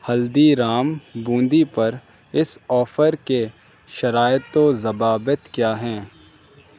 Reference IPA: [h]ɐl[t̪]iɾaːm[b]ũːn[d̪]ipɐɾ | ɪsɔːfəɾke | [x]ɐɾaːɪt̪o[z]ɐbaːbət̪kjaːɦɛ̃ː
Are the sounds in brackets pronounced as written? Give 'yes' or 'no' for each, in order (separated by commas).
yes, no, yes, yes, no, yes